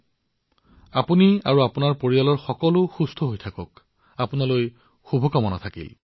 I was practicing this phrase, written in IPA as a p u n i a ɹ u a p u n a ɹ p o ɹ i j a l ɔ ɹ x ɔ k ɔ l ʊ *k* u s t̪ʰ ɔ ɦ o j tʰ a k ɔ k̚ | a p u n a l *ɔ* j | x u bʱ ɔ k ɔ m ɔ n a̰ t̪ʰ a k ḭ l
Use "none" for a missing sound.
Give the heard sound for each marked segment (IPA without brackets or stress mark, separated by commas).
x, o